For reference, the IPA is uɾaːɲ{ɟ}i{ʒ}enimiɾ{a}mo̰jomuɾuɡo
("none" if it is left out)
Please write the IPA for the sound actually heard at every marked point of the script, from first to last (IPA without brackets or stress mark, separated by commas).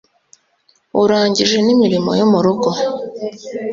ɟ, ʒ, i